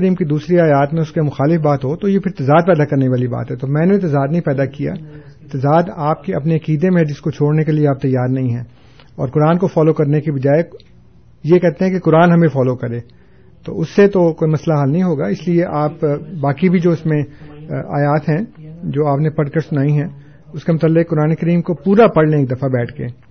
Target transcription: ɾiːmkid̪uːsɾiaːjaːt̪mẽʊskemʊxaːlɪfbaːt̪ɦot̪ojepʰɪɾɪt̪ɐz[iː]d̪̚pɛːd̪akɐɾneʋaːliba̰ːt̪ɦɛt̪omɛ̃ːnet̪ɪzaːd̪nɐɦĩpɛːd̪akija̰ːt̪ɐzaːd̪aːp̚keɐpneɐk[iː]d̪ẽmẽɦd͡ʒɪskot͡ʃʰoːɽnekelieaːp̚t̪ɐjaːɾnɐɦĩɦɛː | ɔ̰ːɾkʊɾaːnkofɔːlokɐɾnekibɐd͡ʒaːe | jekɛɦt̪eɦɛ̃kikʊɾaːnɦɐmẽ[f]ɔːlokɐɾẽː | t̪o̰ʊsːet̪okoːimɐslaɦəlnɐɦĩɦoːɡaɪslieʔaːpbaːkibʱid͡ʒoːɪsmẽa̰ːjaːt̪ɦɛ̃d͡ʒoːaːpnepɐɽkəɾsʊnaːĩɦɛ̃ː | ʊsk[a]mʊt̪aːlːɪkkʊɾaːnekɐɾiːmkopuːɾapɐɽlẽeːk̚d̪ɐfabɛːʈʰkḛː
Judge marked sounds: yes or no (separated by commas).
no, yes, yes, no